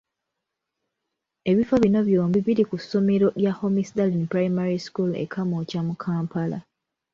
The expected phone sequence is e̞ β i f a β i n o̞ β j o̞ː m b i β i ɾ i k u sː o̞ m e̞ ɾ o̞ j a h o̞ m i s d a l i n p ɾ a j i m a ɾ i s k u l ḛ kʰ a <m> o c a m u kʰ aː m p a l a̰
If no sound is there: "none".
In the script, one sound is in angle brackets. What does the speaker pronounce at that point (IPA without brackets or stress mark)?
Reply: m